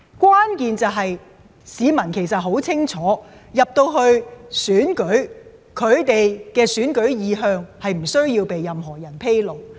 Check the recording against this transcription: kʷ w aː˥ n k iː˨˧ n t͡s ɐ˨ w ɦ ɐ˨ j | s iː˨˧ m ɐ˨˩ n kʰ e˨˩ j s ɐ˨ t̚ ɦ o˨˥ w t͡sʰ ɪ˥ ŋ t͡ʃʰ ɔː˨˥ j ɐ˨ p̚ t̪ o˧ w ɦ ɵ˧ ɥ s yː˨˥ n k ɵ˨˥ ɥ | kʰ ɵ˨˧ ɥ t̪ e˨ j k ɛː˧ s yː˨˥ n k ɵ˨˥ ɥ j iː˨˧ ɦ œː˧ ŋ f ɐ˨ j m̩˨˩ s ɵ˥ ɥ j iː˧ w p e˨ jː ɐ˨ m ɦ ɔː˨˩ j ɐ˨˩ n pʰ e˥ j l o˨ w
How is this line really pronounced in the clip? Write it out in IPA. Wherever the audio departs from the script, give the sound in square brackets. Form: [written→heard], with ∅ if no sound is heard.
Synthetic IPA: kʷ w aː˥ n k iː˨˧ n t͡s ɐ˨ w ɦ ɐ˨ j | s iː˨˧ m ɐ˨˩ n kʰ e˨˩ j s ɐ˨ t̚ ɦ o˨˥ w t͡sʰ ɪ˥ ŋ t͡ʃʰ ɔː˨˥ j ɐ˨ p̚ t̪ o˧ w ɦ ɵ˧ ɥ s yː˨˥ n k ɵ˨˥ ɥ | kʰ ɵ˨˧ ɥ t̪ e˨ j k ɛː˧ s yː˨˥ n k ɵ˨˥ ɥ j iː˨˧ ɦ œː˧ ŋ [f→h] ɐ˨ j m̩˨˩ s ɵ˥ ɥ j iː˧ w p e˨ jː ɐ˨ m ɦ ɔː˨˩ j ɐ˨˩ n pʰ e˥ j l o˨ w